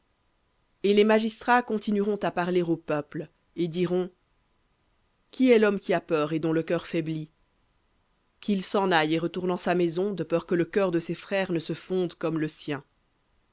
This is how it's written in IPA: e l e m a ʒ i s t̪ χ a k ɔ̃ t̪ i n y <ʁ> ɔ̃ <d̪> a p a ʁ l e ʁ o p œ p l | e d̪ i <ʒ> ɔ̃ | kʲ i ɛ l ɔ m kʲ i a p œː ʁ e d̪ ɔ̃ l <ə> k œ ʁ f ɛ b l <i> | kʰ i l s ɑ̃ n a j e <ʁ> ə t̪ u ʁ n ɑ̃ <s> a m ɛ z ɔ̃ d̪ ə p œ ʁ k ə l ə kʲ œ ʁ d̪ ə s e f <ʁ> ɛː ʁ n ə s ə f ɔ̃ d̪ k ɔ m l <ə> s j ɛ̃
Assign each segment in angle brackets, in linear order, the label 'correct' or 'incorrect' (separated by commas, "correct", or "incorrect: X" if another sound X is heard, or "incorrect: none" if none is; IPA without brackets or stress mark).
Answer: correct, incorrect: t̪, incorrect: ʁ, correct, correct, correct, correct, incorrect: χ, correct